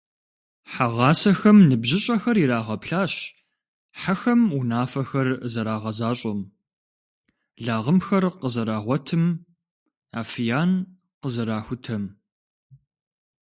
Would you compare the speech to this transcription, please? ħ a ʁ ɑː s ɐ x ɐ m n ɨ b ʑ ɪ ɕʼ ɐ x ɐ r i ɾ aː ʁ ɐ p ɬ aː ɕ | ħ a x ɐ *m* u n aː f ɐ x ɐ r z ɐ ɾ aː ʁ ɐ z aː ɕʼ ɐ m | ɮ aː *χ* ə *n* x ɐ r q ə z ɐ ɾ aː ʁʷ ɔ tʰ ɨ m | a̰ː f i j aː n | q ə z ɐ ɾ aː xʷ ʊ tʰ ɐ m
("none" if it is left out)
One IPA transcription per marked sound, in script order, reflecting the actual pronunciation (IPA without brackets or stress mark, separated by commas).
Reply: m, ʁ, m